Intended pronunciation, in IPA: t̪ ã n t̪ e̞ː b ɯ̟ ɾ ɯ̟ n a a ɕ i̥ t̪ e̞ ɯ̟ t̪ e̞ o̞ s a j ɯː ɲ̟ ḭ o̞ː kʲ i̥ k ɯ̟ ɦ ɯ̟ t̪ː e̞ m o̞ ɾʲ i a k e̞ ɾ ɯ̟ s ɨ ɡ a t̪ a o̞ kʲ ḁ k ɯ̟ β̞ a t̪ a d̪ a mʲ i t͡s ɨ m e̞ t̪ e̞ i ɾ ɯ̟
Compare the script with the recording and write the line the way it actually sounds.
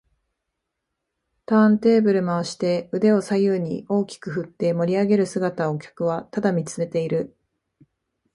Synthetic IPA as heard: t̪ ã n t̪ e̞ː b ɯ̟ ɾ ɯ̟ m a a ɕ i̥ t̪ e̞ ɯ̟ d̪ e̞ o̞ s a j ɯː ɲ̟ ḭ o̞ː kʲ i̥ k ɯ̟ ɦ ɯ̟ t̪ː e̞ m o̞ ɾʲ i a ɡ e̞ ɾ ɯ̟ s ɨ ɡ a t̪ a o̞ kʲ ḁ k ɯ̟ β̞ a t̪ a d̪ a mʲ i t͡s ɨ m e̞ t̪ e̞ i ɾ ɯ̟